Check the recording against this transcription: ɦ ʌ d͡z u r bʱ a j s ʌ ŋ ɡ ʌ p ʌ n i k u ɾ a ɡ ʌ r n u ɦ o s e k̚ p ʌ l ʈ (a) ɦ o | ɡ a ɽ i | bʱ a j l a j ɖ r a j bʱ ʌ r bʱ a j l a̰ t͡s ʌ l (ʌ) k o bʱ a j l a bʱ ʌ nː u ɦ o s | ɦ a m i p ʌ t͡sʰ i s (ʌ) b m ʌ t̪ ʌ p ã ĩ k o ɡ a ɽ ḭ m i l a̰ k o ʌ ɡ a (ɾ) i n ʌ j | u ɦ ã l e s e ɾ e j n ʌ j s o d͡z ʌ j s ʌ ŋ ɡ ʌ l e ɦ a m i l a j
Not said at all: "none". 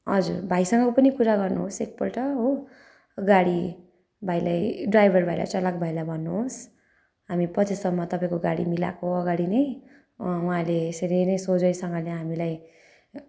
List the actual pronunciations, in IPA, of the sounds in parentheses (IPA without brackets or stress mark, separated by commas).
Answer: ʌ, a, ʌ, ɽ